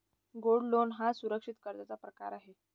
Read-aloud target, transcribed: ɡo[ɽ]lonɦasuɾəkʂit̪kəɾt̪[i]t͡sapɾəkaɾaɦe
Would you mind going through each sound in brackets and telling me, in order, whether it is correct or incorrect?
correct, incorrect: a

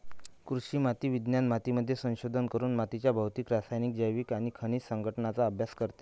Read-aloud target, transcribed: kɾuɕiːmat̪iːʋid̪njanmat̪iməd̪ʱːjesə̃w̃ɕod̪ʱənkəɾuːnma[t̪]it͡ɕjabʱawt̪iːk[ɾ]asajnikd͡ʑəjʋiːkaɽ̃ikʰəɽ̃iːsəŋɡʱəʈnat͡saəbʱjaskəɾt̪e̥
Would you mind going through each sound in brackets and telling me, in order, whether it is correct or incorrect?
correct, correct

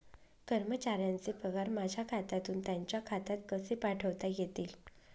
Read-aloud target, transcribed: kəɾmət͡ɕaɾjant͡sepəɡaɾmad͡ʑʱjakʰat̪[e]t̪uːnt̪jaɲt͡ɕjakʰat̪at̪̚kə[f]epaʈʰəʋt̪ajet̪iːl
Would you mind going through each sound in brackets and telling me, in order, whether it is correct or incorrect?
incorrect: a, incorrect: s

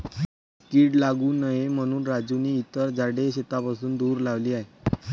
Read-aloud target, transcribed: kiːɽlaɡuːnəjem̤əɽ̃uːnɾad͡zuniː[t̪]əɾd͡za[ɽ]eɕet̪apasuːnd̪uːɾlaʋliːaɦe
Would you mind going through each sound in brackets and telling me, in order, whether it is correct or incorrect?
correct, correct

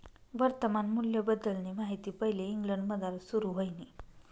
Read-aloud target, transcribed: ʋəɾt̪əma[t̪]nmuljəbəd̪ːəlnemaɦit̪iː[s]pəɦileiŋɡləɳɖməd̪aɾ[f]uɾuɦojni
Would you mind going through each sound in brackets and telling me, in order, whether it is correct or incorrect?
incorrect: none, incorrect: none, incorrect: s

